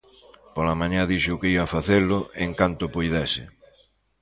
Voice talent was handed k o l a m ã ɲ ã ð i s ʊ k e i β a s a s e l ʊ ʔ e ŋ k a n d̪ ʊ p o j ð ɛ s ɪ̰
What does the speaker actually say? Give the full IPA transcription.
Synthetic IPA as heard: p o l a m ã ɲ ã ð i ʃ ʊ k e i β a f a θ e l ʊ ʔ e ŋ k a n t̪ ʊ p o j ð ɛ s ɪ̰